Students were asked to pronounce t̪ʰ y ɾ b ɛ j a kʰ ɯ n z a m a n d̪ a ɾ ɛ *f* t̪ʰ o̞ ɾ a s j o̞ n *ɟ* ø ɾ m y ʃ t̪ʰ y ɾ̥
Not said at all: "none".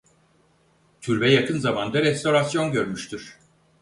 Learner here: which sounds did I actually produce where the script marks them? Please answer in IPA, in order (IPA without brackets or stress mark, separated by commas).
s, ɟ